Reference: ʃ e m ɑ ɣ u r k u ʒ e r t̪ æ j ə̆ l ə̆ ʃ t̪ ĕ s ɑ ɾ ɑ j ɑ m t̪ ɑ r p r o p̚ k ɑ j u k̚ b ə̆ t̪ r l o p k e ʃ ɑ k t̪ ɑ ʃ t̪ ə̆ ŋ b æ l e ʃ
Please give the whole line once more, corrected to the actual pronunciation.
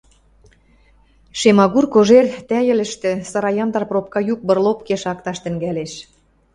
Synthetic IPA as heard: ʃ e m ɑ ɣ u r k o ʒ e r t̪ æ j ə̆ l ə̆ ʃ t̪ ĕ s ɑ ɾ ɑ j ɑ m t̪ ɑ r p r o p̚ k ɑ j u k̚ b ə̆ r l o p k e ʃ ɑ k t̪ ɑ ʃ t̪ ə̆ ŋ ɡ æ l e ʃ